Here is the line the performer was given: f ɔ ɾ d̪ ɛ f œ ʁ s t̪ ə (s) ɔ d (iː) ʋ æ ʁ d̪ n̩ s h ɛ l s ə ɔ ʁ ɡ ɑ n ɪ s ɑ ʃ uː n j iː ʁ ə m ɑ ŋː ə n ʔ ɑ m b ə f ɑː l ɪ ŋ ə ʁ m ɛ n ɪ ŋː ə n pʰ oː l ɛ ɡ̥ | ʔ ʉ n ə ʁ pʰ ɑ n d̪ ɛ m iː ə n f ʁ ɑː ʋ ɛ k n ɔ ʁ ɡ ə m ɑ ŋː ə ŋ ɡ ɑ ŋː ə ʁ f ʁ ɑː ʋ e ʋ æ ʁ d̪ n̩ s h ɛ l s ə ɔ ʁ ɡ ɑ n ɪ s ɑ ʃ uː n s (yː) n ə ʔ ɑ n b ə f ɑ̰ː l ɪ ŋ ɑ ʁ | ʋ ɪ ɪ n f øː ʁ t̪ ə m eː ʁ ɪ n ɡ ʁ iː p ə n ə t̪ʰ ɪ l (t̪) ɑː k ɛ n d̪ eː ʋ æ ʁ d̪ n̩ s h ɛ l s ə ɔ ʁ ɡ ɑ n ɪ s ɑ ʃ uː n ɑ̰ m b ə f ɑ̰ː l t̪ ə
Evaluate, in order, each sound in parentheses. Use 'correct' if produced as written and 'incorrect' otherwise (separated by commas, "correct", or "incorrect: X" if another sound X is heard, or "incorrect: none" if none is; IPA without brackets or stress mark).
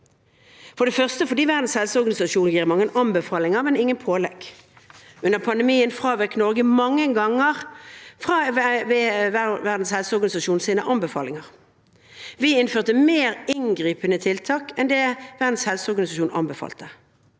incorrect: f, correct, incorrect: iː, incorrect: t̪ʰ